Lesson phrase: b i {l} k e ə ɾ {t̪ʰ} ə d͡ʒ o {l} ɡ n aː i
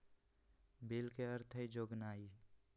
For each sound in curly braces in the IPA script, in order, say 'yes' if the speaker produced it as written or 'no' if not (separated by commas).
yes, yes, no